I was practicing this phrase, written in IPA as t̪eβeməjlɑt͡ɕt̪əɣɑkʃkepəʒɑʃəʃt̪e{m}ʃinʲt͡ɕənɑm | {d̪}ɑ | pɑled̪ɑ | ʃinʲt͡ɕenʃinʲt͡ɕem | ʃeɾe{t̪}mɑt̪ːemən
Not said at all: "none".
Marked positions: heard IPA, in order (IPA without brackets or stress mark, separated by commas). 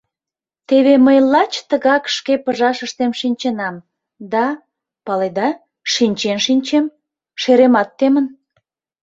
m, d̪, none